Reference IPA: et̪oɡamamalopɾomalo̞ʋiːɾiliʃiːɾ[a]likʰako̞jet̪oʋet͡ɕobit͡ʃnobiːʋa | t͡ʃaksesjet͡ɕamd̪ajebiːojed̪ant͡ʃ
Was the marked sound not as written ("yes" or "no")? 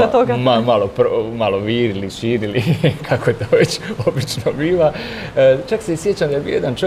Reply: yes